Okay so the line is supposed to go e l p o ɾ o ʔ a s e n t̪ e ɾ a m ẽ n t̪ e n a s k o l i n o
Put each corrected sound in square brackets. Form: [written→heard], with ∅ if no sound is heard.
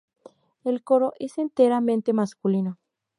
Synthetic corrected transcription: e l [p→k] o ɾ o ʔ [a→e] s e n t̪ e ɾ a m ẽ n t̪ e [n→m] a s k [o→u] l i n o